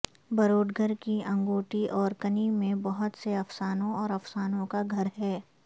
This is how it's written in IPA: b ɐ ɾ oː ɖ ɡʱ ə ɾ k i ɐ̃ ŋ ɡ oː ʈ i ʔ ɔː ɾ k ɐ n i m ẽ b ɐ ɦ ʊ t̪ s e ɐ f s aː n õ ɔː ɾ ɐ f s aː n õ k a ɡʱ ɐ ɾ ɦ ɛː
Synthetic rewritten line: b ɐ ɾ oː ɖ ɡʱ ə ɾ k i ɐ̃ ŋ ɡ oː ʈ i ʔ ɔː ɾ k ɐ n i m ẽ b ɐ ɦ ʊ t̪ s e ɐ f s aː n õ ɔː ɾ ɐ f s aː n õ k a ɡʱ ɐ ɾ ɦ ɛː

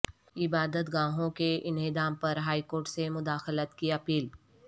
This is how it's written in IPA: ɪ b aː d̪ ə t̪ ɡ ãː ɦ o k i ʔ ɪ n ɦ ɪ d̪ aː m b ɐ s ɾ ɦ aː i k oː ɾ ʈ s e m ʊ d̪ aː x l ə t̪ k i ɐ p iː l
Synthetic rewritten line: ɪ b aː d̪ ə t̪ ɡ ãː ɦ õ k e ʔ ɪ n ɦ ɪ d̪ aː m p ɐ ɾ ɦ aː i k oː ɾ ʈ s e m ʊ d̪ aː x l ə t̪ k i ɐ p iː l

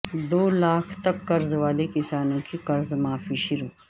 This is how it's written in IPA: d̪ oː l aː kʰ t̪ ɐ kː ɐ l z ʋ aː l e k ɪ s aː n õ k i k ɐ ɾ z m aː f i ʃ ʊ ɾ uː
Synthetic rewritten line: d̪ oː l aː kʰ t̪ ɐ kː ɐ ɾ z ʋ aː l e k ɪ s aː n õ k i k ɐ ɾ z m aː f i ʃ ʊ ɾ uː

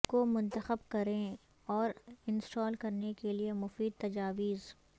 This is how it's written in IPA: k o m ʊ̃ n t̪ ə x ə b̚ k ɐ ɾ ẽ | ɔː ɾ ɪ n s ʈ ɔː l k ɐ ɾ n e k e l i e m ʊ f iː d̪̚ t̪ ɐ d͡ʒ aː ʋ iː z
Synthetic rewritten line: k o m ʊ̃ n t̪ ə x ə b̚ k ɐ ɾ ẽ | ɔː ɾ ɪ n s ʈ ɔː l k ɐ ɾ n e k e l i e m ʊ f iː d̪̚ t̪ ɐ d͡ʒ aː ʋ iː z

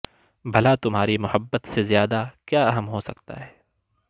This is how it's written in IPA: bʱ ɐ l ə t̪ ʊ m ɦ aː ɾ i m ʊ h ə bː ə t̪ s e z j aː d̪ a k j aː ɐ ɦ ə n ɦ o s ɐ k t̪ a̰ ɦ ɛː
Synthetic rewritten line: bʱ ɐ l a t̪ ʊ m ɦ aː ɾ i m ʊ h ə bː ə t̪ s e z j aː d̪ a k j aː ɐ ɦ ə m ɦ o s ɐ k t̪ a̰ ɦ ɛː

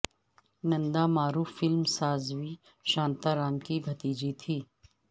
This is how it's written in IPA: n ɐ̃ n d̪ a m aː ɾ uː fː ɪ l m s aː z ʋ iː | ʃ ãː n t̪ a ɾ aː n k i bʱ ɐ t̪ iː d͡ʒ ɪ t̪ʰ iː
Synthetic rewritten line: n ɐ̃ n d̪ a m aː ɾ uː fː ɪ l m s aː z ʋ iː | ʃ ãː n t̪ a ɾ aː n k i bʱ ɐ t̪ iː d͡ʒ i t̪ʰ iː

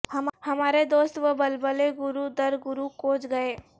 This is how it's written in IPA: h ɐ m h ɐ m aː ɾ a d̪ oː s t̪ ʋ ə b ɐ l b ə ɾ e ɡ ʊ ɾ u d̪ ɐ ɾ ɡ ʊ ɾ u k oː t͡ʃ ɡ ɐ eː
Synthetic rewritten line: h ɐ m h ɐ m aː ɾ e d̪ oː s t̪ ʋ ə b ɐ l b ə l e ɡ ʊ ɾ u d̪ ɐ ɾ ɡ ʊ ɾ u k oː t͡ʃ ɡ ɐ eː

